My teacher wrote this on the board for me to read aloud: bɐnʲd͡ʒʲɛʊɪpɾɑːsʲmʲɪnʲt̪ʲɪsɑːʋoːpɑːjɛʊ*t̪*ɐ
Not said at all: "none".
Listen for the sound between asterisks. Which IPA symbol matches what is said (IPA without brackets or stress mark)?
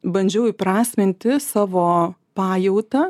t̪